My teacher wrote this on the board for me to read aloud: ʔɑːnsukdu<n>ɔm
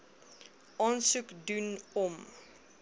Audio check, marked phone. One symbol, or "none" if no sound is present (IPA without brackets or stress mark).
n